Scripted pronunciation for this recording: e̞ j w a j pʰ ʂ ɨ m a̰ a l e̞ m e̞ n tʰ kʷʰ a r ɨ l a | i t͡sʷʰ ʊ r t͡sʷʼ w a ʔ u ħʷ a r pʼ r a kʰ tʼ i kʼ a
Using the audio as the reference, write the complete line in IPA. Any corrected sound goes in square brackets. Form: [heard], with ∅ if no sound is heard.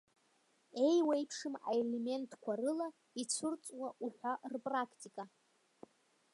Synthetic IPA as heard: e̞ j w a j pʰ ʂ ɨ m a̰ [e] l e̞ m e̞ n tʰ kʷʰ a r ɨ l a | i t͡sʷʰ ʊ r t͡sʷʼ w a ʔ u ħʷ a r pʼ r a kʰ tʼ i kʼ a